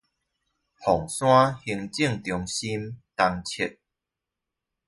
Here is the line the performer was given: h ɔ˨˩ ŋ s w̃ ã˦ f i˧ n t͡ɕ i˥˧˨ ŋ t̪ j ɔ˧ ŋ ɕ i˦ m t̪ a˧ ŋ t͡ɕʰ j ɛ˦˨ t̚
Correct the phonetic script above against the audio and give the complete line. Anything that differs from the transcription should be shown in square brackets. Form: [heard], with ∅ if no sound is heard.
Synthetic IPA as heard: h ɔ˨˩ ŋ s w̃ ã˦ [h] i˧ [ŋ] t͡ɕ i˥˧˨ ŋ t̪ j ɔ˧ ŋ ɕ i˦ m t̪ a˧ ŋ t͡ɕʰ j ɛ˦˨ t̚